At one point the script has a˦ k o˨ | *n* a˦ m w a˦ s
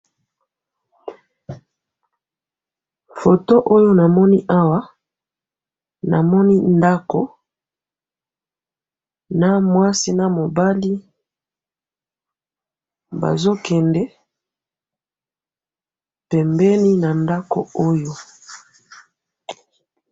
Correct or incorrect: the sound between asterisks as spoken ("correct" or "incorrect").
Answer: correct